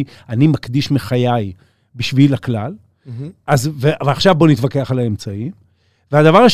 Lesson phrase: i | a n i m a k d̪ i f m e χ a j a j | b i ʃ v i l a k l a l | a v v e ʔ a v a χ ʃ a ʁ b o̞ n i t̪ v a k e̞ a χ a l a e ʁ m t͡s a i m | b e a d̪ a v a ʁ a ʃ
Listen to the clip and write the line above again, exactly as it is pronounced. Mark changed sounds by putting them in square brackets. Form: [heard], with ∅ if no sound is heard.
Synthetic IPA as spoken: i | a n i m a k d̪ i [ʃ] m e χ a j a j | b i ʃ v i l a k l a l | a [z] v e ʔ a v a χ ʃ a [v] b o̞ n i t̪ v a k e̞ a χ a l a e [∅] m t͡s a i m | [v] e a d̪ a v a ʁ a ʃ